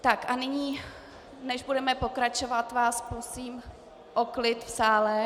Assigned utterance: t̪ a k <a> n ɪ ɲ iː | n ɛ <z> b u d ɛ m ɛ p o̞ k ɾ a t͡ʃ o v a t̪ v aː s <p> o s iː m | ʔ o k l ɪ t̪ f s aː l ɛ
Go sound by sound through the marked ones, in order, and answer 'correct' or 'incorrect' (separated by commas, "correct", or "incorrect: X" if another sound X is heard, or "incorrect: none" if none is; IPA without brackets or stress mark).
correct, incorrect: ʒ, correct